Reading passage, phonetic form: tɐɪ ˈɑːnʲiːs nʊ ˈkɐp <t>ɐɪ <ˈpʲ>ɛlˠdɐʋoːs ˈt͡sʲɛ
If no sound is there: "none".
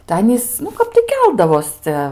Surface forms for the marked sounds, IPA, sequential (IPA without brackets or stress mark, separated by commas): t, kʲ